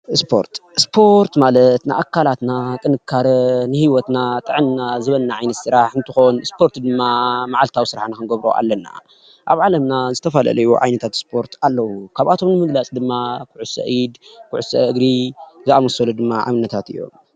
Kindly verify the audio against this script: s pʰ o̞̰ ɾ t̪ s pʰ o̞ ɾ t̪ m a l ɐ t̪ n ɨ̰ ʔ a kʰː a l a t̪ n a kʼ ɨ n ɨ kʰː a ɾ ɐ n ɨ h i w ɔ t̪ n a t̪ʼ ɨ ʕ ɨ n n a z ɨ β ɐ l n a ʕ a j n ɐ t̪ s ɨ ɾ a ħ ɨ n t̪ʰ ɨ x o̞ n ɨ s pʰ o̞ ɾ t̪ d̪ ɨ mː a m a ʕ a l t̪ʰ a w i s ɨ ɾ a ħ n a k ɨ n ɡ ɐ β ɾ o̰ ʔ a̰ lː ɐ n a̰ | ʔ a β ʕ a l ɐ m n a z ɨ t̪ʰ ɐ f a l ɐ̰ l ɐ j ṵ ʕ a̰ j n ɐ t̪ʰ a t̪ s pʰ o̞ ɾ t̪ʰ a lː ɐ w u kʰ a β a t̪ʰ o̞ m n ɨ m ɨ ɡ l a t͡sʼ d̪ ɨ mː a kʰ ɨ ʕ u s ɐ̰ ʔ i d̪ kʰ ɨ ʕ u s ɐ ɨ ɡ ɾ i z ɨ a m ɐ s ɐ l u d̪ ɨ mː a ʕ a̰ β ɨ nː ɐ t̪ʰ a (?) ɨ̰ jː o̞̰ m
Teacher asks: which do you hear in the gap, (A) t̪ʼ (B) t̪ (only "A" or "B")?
B